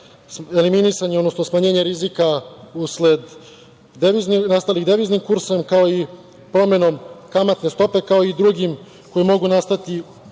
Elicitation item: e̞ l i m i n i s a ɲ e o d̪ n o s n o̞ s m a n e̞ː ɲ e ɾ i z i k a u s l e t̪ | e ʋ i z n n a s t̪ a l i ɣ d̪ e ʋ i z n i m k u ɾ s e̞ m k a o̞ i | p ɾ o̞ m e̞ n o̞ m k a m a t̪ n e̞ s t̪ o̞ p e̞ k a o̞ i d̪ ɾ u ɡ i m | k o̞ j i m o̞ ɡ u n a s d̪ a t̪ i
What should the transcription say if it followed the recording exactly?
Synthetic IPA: e̞ l i m i n i s a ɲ e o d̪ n o s n o̞ s m a ɲ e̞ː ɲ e ɾ i z i k a u s l e d̪ | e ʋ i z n n a s t̪ a l i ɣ d̪ e ʋ i z n i m k u ɾ s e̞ m k a o̞ i | p ɾ o̞ m e̞ n o̞ m k a m a t̪ n e̞ s t̪ o̞ p e̞ k a o̞ i d̪ ɾ u ɡ i m | k o̞ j i m o̞ ɡ u n a s t̪ a t̪ i